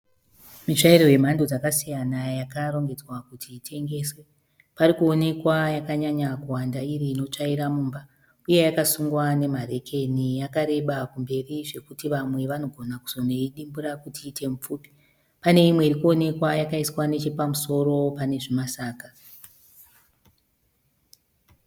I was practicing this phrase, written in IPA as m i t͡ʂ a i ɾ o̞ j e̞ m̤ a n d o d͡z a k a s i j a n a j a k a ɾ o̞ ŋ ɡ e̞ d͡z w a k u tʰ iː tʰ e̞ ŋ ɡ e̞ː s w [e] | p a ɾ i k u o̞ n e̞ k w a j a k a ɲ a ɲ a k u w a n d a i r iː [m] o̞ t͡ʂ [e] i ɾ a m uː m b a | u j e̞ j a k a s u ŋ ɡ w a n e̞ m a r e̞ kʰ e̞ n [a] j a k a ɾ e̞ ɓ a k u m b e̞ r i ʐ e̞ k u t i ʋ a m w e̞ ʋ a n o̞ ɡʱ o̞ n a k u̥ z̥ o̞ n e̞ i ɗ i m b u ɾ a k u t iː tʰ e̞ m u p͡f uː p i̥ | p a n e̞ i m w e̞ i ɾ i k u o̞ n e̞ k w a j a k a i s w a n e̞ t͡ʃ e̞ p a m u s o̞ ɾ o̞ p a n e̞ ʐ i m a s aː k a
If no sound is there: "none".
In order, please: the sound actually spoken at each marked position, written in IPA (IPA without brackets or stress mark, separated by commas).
e, n, a, i